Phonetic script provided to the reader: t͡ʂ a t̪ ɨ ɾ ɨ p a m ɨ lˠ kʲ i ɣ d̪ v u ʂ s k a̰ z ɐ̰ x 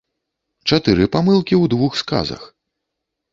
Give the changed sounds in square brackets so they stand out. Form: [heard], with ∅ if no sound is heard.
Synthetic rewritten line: t͡ʂ a t̪ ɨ ɾ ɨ p a m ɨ lˠ kʲ i [w] d̪ v u [x] s k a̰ z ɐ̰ x